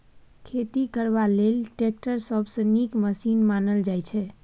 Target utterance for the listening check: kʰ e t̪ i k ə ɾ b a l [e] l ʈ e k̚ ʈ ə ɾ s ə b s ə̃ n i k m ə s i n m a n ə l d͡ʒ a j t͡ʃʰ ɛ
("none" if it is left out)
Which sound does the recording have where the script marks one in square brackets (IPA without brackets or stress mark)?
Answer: e